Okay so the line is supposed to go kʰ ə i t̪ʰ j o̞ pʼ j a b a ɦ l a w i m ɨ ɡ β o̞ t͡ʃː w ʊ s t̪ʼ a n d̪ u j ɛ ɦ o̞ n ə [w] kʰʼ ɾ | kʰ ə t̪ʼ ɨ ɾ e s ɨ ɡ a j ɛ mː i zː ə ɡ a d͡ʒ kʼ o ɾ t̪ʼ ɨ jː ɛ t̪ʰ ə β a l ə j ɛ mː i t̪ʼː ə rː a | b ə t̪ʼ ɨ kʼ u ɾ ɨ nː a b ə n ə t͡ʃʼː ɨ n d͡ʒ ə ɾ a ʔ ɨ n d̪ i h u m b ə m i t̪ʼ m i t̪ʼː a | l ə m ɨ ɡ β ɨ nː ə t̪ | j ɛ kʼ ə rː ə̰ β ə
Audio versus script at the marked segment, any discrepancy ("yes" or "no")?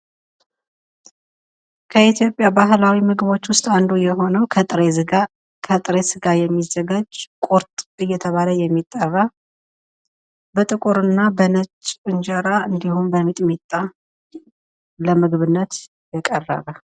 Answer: no